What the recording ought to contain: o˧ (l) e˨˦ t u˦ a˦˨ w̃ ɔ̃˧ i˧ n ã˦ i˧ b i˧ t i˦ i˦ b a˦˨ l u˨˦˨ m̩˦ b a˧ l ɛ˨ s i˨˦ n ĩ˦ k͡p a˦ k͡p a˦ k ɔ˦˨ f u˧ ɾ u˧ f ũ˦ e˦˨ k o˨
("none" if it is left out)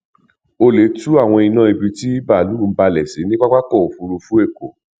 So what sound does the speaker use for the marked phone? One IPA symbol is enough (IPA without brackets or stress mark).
l